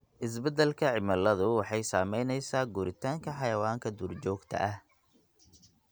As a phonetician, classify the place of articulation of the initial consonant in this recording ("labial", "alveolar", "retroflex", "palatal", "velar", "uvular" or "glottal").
glottal